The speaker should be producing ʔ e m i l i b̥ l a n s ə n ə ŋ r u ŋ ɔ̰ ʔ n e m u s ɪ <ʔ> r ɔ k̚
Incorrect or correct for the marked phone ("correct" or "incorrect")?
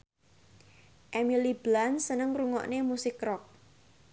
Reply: incorrect